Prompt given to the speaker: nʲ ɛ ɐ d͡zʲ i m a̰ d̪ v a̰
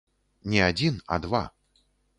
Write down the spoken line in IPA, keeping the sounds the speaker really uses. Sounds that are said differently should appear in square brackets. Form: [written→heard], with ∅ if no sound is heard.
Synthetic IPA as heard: nʲ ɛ [ɐ→a] d͡zʲ i [m→n] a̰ d̪ v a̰